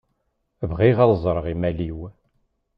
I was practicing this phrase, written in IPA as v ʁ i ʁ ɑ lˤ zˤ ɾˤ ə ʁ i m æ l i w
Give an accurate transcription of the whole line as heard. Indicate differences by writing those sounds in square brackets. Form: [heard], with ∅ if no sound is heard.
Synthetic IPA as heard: v ʁ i ʁ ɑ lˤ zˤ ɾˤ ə ʁ i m æ l i w